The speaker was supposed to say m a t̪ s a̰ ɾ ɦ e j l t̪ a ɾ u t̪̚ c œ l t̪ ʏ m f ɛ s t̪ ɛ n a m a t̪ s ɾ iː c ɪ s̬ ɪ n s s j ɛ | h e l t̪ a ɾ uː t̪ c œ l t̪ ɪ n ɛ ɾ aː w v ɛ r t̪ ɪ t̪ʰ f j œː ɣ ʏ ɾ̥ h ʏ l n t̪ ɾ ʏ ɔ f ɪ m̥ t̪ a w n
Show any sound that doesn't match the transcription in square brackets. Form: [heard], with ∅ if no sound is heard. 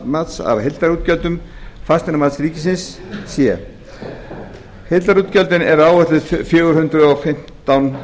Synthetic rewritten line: m a t̪ s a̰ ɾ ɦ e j l t̪ a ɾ u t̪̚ c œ l t̪ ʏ m f [a] s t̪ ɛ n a m a t̪ s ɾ iː c ɪ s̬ ɪ n s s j ɛ | h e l t̪ a ɾ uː t̪ c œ l t̪ ɪ n ɛ ɾ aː w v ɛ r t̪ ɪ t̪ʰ f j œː ɣ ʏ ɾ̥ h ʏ [∅] n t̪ ɾ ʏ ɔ f ɪ m̥ t̪ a w n